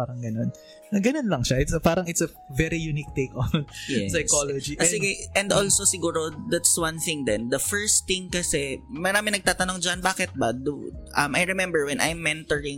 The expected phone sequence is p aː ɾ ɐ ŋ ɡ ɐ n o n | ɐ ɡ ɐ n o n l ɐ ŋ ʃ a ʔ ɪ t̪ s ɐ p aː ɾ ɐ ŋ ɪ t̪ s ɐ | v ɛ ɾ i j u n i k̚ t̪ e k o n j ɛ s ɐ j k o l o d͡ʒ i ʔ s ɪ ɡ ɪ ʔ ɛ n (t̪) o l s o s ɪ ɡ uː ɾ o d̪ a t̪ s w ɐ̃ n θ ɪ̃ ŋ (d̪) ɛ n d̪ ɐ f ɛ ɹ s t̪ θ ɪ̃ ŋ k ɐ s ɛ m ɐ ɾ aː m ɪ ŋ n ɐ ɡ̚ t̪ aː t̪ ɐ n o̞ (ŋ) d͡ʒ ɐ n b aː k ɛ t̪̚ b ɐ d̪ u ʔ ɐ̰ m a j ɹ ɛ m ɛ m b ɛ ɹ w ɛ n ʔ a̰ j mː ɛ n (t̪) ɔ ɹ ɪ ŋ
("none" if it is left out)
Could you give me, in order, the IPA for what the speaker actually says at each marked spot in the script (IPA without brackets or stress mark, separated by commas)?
d̪, d̪, ŋ, t̪